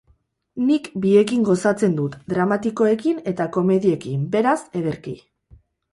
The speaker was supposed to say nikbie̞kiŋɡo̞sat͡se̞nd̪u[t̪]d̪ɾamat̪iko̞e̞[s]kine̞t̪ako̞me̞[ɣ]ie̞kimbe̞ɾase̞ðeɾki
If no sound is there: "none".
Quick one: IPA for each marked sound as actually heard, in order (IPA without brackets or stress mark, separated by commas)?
t̪, none, ð